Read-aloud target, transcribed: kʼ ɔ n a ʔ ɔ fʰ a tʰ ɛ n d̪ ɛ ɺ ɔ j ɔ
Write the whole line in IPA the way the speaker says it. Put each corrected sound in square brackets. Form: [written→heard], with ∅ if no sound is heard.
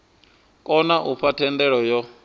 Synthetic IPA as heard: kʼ ɔ n a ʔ [ɔ→u] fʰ a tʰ ɛ n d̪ ɛ ɺ ɔ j ɔ

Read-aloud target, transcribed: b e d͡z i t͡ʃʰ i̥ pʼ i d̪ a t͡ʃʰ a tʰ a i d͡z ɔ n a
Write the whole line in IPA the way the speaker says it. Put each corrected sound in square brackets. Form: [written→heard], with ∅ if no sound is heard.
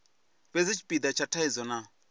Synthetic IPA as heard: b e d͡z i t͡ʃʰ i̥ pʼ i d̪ a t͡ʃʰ a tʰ a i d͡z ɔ n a

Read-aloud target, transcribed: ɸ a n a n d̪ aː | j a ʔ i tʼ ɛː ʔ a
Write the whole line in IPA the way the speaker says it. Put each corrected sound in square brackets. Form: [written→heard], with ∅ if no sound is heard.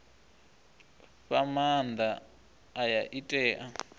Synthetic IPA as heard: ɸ a [n→m] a n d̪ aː | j a ʔ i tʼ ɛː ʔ a

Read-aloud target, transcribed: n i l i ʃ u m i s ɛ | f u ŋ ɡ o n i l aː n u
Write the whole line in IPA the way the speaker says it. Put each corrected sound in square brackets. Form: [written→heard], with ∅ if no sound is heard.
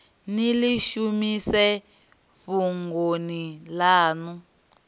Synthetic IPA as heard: n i l i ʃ u m i s ɛ | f u ŋ ɡ o n i l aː n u

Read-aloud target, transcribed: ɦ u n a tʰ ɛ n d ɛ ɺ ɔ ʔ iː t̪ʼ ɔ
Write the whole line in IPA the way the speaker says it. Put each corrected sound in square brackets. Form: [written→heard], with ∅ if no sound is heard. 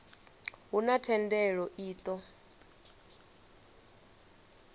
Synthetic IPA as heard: ɦ u n a tʰ ɛ n d ɛ ɺ ɔ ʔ iː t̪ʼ ɔ

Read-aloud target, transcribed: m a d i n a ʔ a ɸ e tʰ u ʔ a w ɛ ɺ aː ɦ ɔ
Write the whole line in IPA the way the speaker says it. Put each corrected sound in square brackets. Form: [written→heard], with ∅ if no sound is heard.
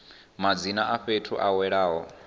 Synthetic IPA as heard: m a [d→d͡z] i n a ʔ a ɸ e tʰ u ʔ a w ɛ ɺ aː ɦ ɔ

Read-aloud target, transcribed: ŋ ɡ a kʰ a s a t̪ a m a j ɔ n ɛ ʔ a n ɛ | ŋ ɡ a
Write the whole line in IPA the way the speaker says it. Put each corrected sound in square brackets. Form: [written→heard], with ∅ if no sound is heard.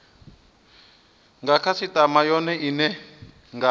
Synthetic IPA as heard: ŋ ɡ a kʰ a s [a→i] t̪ a m a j ɔ n ɛ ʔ [a→i] n ɛ | ŋ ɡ a

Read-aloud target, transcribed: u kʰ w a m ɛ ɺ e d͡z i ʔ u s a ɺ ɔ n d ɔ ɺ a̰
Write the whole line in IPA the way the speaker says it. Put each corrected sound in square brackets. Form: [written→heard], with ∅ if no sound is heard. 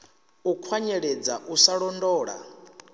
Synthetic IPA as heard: u kʰ w a [m→ɲ] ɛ ɺ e d͡z [i→a] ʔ u s a ɺ ɔ n d [ɔ→ɔː] ɺ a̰

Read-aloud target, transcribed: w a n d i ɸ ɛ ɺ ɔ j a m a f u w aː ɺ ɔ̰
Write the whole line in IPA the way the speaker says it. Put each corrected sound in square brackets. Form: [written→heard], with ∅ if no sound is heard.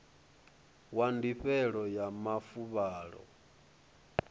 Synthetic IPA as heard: w a n d i ɸ ɛ ɺ ɔ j a m a f u [w→β] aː ɺ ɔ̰

